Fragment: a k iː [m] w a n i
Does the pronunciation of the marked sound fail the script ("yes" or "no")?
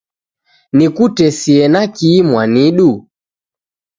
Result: no